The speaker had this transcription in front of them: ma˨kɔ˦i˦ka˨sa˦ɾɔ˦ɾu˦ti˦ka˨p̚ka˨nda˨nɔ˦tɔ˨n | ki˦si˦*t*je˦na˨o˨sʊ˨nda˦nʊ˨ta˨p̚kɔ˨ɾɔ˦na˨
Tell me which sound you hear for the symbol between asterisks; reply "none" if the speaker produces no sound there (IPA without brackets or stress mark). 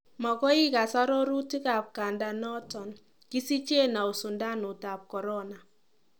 t͡ʃ